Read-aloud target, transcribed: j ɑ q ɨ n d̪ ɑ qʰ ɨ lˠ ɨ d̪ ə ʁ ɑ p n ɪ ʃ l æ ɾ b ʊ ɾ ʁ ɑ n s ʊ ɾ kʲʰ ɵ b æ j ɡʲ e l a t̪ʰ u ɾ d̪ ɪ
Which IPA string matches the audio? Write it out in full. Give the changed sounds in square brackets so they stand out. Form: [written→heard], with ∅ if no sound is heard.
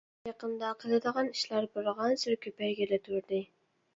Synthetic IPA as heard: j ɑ q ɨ n d̪ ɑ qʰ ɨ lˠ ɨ d̪ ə ʁ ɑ [p→∅] n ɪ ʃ l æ ɾ b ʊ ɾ ʁ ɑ n s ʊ ɾ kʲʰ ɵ [b→p] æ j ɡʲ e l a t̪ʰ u ɾ d̪ ɪ